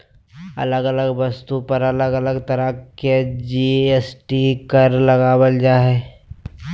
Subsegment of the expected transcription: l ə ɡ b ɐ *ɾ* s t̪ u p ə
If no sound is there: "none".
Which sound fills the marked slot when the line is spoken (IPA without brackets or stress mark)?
none